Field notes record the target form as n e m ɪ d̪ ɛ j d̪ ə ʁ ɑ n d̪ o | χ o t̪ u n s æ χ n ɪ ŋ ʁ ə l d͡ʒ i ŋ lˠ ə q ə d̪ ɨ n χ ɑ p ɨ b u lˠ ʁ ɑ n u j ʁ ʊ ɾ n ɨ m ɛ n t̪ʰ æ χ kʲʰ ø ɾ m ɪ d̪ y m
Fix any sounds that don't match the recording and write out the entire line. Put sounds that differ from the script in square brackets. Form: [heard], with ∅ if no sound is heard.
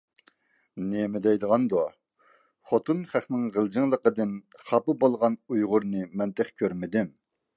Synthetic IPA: n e m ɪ d̪ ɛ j d̪ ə ʁ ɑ n d̪ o | χ o t̪ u n [χ] æ χ n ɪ ŋ ʁ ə l d͡ʒ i ŋ lˠ ə q ə d̪ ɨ n χ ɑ p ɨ b [o] lˠ ʁ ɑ n u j ʁ ʊ ɾ n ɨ m ɛ n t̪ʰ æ χ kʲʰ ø ɾ m ɪ d̪ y m